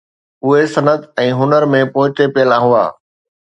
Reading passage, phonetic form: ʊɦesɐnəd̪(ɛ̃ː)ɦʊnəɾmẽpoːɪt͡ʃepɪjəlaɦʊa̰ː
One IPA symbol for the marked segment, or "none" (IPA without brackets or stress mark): ɛ̃ː